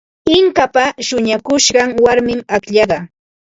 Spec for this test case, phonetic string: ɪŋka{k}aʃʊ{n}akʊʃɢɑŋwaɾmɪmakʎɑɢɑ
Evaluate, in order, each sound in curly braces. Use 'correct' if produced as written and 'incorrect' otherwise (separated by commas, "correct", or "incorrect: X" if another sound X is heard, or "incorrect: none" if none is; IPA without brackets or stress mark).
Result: incorrect: p, incorrect: ɲ